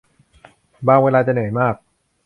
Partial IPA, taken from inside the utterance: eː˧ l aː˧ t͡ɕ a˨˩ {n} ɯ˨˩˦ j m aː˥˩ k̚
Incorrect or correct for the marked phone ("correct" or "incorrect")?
correct